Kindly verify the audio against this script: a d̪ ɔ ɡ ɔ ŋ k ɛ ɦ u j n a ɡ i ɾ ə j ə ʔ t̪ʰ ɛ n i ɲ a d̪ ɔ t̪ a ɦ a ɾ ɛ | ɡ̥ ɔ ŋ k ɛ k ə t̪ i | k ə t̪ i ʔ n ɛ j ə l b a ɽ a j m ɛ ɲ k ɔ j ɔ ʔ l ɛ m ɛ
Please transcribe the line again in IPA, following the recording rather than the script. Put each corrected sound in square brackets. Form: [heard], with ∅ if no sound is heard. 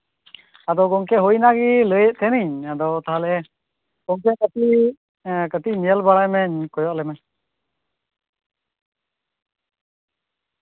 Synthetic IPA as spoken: a d̪ ɔ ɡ ɔ ŋ k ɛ ɦ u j n a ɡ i [l] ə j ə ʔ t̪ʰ ɛ n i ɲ a d̪ ɔ t̪ a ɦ a [l] ɛ | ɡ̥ ɔ ŋ k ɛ k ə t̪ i | k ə t̪ i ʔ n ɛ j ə l b a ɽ a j m ɛ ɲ k ɔ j ɔ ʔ l ɛ m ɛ